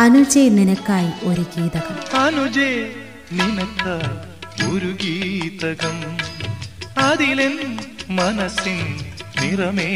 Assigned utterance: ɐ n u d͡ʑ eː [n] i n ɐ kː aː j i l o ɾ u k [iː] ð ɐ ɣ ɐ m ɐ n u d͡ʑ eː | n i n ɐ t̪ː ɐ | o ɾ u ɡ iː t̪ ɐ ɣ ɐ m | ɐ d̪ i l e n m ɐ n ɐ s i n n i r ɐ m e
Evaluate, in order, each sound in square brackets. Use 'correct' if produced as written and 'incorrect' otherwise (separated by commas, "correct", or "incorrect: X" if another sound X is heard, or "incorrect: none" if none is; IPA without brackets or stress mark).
correct, correct